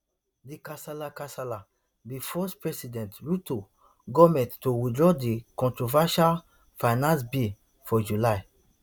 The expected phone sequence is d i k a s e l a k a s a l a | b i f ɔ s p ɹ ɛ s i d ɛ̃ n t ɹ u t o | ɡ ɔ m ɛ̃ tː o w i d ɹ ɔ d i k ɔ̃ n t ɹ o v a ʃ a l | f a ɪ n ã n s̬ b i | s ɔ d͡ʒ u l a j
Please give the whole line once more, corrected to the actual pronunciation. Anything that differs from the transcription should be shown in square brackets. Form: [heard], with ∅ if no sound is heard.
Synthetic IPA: d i k a s [a] l a k a s a l a | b i f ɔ s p ɹ ɛ s i d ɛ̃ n t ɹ u t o | ɡ ɔ m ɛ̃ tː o w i d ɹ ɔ d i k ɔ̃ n t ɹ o v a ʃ a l | f a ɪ n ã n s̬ b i | [f] ɔ d͡ʒ u l a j